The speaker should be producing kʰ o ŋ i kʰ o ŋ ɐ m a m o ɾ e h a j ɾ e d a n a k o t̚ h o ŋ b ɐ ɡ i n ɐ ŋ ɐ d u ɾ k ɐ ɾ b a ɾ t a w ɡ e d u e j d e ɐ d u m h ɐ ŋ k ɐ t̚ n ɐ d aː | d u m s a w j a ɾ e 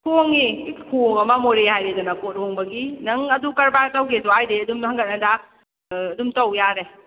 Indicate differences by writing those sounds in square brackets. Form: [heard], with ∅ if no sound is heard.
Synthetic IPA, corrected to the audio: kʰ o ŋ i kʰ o ŋ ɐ m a m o ɾ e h a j ɾ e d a n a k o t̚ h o ŋ b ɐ ɡ i n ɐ ŋ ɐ d u [∅] k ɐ ɾ b a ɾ t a w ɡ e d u [a] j d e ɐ d u m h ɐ ŋ [ɡ] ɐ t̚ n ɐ d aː | d u m [t] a w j a ɾ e

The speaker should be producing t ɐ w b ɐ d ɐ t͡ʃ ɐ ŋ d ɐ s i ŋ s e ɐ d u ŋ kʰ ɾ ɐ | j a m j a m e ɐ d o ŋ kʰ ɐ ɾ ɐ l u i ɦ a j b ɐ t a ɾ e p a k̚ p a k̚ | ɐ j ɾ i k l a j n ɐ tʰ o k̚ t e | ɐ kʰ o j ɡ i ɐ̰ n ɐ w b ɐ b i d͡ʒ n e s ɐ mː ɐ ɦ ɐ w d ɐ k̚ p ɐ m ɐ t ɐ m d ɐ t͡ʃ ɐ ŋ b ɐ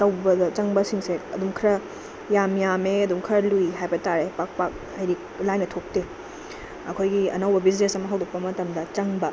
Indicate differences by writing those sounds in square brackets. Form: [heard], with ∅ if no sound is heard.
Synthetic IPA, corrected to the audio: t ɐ w b ɐ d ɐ t͡ʃ ɐ ŋ [b] ɐ s i ŋ s e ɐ d u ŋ kʰ ɾ ɐ | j a m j a m e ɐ d [u] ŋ kʰ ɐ ɾ ɐ l u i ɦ a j b ɐ t a ɾ e p a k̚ p a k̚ | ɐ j ɾ i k l a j n ɐ tʰ o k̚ t e | ɐ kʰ o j ɡ i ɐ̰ n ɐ w b ɐ b i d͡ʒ n e s ɐ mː ɐ ɦ ɐ w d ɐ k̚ p ɐ m ɐ t ɐ m d ɐ t͡ʃ ɐ ŋ b ɐ

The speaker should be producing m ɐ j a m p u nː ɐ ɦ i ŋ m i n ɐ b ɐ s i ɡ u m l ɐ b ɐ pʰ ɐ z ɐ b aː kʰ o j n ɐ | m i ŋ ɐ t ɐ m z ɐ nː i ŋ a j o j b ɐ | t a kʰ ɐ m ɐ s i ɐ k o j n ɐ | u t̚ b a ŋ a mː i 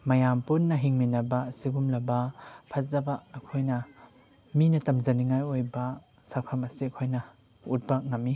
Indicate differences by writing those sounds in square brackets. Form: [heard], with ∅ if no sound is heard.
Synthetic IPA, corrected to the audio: m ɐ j a m p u nː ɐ ɦ i ŋ m i n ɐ b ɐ s i ɡ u m l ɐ b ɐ pʰ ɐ z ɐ b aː kʰ o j n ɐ | m i [n] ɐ t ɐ m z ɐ [n] i ŋ a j o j b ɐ | [s] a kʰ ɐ m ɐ s i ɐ [kʰ] o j n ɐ | u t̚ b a ŋ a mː i

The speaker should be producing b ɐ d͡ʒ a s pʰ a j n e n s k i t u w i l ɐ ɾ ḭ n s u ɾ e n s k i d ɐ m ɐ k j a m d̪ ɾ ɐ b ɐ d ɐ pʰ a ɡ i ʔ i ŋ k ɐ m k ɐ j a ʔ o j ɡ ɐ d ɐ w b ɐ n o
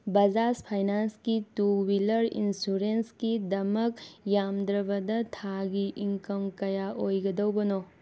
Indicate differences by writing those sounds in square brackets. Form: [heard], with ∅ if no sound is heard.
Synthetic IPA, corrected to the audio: b ɐ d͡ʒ a s pʰ a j n [a] n s k i t u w i l ɐ ɾ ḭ n s u ɾ e n s k i d ɐ m ɐ k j a m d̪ ɾ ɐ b ɐ d ɐ [tʰ] a ɡ i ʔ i ŋ k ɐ m k ɐ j a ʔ o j ɡ ɐ d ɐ w b ɐ n o

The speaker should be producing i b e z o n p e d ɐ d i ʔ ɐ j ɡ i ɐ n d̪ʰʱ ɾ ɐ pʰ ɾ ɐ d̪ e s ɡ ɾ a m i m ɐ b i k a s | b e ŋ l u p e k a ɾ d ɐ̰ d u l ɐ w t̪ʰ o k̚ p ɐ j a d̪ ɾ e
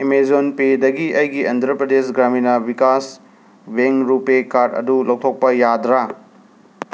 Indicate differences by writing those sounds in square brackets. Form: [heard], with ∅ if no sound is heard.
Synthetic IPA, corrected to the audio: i [m] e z o n p e d ɐ [ɡ] i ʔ ɐ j ɡ i ɐ n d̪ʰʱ ɾ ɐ [p] ɾ ɐ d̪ e s ɡ ɾ a m i [n] ɐ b i k a s | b e ŋ [ɾ] u p e k a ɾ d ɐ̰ d u l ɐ w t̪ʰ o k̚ p ɐ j a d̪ ɾ [a]

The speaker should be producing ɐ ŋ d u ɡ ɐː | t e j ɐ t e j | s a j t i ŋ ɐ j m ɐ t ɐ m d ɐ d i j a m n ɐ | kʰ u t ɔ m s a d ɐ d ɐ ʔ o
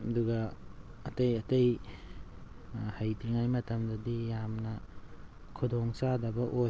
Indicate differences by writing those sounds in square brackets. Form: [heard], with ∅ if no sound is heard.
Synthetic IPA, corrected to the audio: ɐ [∅] d u ɡ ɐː | t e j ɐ t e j | [h] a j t i ŋ [a] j m ɐ t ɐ m d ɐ d i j a m n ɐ | kʰ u [d] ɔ [ŋ] s a d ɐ [b] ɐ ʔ o

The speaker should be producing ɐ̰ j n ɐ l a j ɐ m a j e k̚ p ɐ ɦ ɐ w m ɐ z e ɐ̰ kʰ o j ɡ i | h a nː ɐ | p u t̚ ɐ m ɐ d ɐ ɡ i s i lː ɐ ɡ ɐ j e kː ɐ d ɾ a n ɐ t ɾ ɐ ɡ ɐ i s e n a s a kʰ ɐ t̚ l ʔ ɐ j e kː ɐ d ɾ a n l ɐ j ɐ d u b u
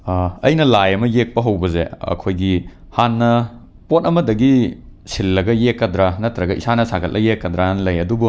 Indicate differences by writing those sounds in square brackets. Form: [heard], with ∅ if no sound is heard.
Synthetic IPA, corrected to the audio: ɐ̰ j n ɐ l a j ɐ m [ɐ] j e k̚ p ɐ ɦ ɐ w [b] ɐ z e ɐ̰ kʰ o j ɡ i | h a nː ɐ | p [o] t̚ ɐ m ɐ d ɐ ɡ i s i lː ɐ ɡ ɐ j e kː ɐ d ɾ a n ɐ t ɾ ɐ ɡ ɐ i s [a] n [ɐ] s a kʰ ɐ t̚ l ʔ ɐ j e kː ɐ d ɾ a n l ɐ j ɐ d u b u

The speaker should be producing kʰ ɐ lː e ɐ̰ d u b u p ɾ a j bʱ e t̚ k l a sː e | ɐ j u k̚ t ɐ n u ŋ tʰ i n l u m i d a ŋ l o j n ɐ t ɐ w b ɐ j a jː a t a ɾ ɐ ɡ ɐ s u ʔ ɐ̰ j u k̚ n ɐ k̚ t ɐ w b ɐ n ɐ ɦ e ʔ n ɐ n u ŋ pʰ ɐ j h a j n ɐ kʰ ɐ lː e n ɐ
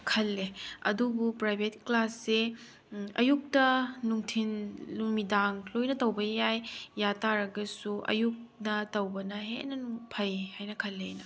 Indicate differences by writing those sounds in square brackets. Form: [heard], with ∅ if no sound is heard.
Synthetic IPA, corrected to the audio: kʰ ɐ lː e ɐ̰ d u b u p ɾ a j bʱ e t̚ k l a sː e | ɐ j u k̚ t ɐ n u ŋ tʰ i n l u m i d a ŋ l o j n ɐ t ɐ w b ɐ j a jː a t a ɾ ɐ ɡ ɐ s u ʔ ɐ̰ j u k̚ n ɐ [∅] t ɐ w b ɐ n ɐ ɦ e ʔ n ɐ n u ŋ pʰ ɐ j h a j n ɐ kʰ ɐ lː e n ɐ

